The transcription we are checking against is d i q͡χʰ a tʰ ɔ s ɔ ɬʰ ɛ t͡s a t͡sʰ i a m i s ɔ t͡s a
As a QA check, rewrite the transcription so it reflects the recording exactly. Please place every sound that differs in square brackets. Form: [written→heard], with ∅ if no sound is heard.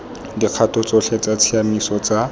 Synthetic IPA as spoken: d i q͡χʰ a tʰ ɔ [s→t͡s] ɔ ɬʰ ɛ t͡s a t͡sʰ i a m i s ɔ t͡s a

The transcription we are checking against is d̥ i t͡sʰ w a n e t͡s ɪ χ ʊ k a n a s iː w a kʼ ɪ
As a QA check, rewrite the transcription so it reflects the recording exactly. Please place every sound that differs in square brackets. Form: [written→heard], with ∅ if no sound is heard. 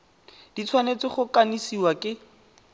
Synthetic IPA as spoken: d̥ i t͡sʰ w a n e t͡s ɪ χ ʊ k a n [a→i] s [iː→i] w a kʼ ɪ

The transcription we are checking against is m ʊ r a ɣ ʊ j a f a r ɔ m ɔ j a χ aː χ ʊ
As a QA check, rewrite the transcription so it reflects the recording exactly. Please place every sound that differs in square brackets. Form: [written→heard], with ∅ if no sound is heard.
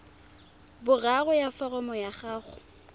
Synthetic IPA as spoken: [m→b] ʊ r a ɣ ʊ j a f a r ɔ m ɔ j a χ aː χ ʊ

